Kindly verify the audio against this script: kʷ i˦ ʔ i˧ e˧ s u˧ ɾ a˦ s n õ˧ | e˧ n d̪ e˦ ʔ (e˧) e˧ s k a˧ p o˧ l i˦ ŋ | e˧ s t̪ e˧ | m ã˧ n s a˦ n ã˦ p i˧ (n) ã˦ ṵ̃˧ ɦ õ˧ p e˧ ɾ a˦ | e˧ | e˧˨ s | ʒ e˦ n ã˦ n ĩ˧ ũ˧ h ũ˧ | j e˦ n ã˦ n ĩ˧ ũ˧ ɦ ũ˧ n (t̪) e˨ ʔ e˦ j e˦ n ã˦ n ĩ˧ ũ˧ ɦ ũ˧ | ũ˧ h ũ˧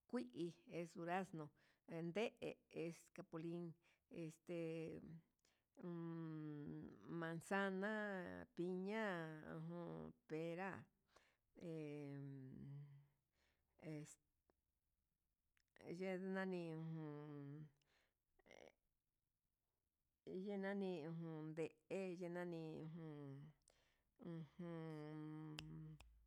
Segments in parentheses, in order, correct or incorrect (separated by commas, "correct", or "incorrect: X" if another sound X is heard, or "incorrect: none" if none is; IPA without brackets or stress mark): correct, incorrect: ɲ, incorrect: d̪